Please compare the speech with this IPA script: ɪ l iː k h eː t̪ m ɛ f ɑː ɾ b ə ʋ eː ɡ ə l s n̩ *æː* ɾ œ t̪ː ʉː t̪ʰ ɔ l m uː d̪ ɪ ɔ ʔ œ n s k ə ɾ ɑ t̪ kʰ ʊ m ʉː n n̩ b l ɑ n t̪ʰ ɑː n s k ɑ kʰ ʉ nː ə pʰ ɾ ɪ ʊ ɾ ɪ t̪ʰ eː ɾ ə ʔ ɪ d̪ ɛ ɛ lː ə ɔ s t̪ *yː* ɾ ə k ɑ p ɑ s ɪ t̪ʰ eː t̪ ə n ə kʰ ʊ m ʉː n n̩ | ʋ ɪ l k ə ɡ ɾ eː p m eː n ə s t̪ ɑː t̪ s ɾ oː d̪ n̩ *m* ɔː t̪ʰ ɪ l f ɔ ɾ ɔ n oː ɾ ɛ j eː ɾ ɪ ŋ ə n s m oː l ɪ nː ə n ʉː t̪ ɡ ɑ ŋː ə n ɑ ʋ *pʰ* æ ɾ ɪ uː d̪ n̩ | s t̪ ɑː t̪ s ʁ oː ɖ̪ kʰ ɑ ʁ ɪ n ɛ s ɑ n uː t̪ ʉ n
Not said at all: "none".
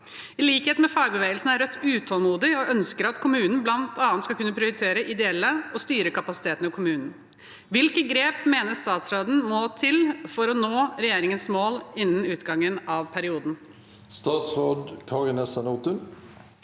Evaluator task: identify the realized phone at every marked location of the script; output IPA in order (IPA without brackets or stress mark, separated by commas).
æ, yː, m, pʰ